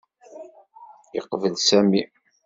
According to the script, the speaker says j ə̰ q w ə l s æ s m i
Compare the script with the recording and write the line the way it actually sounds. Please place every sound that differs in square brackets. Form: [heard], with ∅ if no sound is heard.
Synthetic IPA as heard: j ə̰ q [v] ə l s æ [∅] m i